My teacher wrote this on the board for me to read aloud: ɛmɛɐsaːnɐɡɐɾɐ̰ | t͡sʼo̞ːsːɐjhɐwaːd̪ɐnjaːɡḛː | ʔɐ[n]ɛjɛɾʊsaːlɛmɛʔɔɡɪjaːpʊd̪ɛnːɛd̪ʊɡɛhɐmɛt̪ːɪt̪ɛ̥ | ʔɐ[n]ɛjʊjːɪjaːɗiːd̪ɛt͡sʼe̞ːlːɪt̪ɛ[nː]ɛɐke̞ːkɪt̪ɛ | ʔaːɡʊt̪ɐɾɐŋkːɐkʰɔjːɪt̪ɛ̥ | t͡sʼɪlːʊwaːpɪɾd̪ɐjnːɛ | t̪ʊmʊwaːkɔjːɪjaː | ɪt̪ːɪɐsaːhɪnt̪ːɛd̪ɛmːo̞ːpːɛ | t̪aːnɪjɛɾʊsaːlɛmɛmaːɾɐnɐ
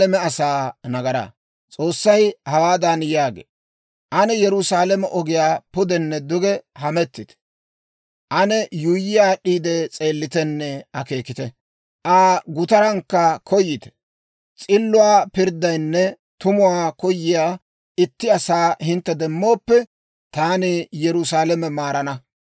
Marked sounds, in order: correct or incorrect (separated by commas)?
correct, correct, correct